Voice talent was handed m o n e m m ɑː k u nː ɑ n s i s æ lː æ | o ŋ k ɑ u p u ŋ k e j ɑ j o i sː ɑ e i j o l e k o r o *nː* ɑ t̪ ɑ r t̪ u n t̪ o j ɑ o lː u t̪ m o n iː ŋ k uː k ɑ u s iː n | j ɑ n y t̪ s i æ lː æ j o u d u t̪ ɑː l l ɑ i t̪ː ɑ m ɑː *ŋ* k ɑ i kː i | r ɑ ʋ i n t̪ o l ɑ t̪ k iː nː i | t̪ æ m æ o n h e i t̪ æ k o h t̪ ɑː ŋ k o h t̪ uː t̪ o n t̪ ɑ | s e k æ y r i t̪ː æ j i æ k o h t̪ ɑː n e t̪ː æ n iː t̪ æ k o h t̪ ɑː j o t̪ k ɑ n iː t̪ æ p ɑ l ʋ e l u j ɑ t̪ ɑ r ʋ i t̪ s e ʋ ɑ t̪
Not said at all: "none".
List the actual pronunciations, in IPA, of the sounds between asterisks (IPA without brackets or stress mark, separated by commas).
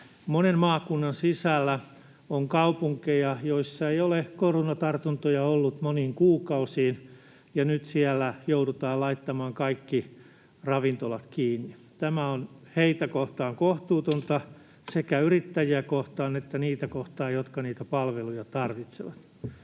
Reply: n, ŋ